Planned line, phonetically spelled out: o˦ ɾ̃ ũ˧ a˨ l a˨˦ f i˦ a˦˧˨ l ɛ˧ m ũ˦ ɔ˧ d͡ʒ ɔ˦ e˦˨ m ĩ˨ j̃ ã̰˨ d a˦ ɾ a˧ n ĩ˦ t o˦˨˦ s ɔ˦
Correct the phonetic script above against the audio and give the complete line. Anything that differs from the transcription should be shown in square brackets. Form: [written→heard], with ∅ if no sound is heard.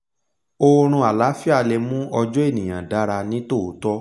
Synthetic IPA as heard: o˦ ɾ̃ ũ˧ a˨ l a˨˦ f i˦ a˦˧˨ l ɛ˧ m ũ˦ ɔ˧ d͡ʒ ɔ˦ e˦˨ [m→n] ĩ˨ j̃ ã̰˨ d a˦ ɾ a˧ n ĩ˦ t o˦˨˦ [s→t] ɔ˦